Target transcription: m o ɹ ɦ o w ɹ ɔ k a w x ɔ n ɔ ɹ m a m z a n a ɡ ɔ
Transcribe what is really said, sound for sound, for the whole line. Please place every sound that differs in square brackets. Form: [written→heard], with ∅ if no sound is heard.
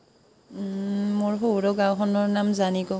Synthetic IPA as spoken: m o ɹ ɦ o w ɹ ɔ [k→ɡ] a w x ɔ n ɔ ɹ [m→n] a m z a n [a→i] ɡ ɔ